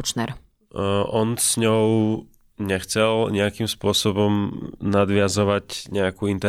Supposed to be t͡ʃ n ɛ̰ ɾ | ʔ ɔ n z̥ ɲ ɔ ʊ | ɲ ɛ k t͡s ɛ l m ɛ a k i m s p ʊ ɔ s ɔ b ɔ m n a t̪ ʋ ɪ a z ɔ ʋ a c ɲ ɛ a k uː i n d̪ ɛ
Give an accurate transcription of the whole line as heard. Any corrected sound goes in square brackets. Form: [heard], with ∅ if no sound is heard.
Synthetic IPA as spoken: t͡ʃ n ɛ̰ ɾ | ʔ ɔ n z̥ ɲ ɔ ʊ | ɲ ɛ [x] t͡s ɛ l [ɲ] ɛ a k i m s p ʊ ɔ s ɔ b ɔ m n a [d̪] ʋ ɪ a z ɔ ʋ a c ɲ ɛ a k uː i n [t̪] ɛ